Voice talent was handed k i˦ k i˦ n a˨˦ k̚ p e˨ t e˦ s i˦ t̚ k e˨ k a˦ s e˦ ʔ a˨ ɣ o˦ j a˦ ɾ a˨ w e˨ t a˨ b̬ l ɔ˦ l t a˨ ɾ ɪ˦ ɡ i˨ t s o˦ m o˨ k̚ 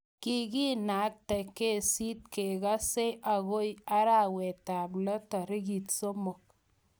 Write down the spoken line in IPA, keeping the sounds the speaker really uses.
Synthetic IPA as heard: k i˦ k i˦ n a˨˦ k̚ t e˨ k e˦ s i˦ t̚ k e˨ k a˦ s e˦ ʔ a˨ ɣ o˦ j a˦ ɾ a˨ w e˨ t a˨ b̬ l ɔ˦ t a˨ ɾ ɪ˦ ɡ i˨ t s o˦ m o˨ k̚